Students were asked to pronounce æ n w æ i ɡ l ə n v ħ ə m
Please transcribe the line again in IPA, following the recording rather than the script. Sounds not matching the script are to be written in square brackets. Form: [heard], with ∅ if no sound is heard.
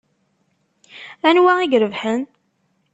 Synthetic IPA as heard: æ n w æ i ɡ [ɾ] ə [∅] v ħ ə [n]